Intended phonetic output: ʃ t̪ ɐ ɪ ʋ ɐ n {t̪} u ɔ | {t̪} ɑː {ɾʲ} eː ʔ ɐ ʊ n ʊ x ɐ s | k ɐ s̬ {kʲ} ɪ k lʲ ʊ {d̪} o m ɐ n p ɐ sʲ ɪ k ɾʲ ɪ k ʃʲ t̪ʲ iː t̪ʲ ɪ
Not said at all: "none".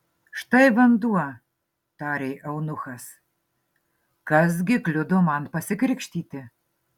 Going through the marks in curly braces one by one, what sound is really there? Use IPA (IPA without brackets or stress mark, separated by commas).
d̪, t̪, ɾʲ, ɡʲ, d̪